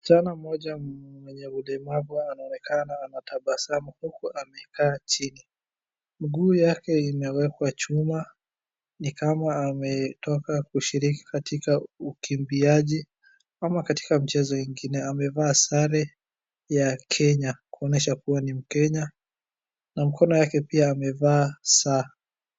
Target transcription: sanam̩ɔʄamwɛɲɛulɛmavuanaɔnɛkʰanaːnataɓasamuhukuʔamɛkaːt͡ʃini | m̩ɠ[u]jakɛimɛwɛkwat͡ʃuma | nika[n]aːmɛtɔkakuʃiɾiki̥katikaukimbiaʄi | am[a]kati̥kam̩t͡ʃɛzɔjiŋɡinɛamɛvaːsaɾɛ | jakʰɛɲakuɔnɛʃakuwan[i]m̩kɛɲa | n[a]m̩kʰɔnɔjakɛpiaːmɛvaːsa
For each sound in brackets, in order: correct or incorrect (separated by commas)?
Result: incorrect, incorrect, correct, correct, correct